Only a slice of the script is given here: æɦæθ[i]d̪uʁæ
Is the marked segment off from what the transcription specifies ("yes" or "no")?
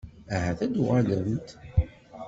yes